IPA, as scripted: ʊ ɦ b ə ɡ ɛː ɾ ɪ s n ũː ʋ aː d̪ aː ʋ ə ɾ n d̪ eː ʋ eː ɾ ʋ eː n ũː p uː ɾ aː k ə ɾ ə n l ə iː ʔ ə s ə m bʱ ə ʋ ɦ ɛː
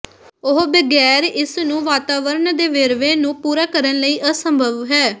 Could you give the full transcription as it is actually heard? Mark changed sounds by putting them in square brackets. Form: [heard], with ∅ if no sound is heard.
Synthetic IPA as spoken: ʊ ɦ b ə ɡ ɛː ɾ ɪ s n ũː ʋ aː [t̪] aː ʋ ə ɾ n d̪ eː ʋ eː ɾ ʋ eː n ũː p uː ɾ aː k ə ɾ ə n l ə iː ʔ ə s ə m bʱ ə ʋ ɦ ɛː